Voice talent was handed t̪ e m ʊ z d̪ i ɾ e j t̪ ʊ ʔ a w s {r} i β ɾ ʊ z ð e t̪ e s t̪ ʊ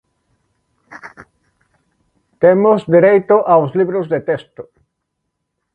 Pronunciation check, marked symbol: incorrect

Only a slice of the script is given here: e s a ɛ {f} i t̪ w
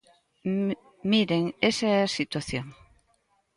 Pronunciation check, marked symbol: incorrect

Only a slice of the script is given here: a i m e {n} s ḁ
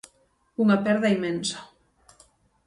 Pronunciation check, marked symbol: correct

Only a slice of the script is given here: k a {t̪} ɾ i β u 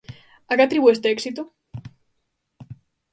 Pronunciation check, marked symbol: correct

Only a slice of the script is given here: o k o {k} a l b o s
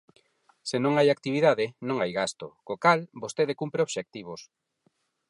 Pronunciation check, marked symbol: correct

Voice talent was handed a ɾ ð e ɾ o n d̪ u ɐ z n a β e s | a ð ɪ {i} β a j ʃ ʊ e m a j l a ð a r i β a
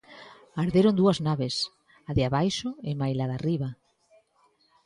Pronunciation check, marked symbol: incorrect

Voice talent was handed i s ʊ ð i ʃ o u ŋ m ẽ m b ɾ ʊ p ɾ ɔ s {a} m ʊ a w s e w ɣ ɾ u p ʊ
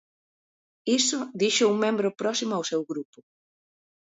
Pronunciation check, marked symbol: incorrect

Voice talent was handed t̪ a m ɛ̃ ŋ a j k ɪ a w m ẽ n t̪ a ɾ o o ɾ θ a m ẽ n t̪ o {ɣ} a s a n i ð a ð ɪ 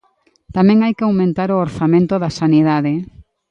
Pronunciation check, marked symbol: incorrect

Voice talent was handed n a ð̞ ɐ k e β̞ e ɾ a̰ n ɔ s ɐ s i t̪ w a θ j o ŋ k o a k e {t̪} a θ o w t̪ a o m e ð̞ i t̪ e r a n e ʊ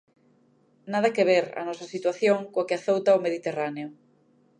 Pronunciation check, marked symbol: incorrect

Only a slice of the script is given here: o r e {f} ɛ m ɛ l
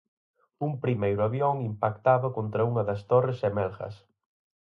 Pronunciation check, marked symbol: incorrect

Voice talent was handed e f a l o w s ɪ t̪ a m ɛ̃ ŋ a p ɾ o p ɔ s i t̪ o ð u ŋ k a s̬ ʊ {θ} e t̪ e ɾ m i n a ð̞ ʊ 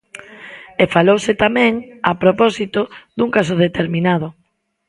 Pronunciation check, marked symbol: incorrect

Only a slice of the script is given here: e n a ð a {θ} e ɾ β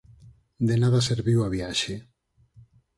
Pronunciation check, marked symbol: incorrect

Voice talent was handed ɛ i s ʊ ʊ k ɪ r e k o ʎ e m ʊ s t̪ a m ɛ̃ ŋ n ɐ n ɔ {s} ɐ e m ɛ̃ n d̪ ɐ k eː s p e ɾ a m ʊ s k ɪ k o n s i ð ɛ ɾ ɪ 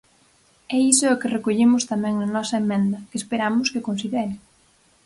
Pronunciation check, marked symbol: correct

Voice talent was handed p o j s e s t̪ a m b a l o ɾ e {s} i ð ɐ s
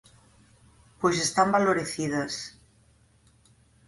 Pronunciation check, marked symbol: incorrect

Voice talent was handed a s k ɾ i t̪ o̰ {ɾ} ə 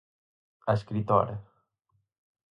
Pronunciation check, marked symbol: correct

